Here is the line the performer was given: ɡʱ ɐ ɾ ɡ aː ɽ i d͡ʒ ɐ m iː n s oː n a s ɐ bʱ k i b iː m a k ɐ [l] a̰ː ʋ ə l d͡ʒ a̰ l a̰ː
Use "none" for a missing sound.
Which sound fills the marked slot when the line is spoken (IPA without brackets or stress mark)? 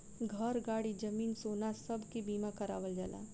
ɾ